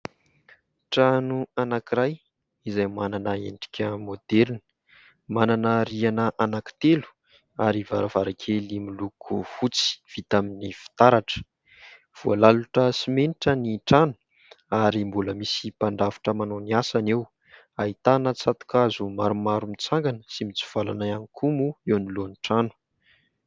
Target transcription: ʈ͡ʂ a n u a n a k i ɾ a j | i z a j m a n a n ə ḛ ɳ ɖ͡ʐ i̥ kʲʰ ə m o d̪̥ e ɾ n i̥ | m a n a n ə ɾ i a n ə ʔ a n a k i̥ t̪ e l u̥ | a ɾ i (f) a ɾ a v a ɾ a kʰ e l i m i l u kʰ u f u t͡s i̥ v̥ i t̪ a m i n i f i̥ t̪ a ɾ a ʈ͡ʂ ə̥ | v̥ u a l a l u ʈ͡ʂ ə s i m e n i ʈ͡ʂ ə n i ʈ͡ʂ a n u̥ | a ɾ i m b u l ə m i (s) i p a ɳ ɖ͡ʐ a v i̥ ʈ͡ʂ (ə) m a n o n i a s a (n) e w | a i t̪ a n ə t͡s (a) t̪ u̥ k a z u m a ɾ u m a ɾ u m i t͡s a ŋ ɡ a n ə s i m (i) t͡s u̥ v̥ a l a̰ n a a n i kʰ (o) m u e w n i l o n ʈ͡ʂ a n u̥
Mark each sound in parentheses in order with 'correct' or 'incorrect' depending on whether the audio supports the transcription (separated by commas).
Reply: incorrect, correct, correct, correct, correct, correct, incorrect